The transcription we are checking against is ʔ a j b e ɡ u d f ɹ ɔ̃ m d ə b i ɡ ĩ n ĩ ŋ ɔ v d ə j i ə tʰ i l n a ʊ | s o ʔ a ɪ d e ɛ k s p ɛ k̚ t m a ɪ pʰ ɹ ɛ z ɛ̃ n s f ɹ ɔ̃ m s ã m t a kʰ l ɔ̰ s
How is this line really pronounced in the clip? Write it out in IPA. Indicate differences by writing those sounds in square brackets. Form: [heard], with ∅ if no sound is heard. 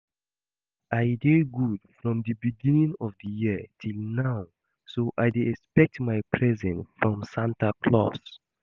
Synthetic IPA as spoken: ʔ a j [d] e ɡ u d f ɹ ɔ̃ m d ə b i ɡ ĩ n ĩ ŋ ɔ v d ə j i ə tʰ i l n a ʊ | s o ʔ a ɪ d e ɛ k s p ɛ k̚ t m a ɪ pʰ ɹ ɛ z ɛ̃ n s f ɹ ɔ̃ m s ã [n] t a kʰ l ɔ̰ s